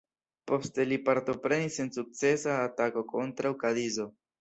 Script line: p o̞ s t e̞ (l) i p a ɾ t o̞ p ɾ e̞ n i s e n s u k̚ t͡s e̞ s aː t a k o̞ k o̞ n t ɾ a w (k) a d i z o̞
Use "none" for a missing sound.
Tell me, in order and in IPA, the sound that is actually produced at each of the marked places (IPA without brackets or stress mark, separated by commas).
l, k